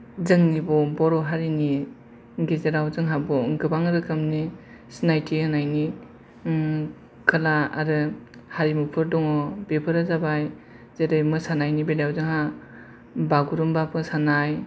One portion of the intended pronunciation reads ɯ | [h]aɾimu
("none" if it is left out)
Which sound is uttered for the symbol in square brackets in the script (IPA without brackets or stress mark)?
h